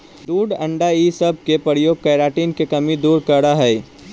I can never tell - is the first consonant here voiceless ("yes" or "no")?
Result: no